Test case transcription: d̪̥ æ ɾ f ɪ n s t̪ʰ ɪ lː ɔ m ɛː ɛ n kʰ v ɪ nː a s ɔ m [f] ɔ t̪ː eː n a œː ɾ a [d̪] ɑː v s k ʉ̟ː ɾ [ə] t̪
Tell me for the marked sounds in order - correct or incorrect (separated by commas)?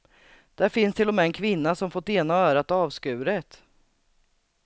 correct, incorrect, correct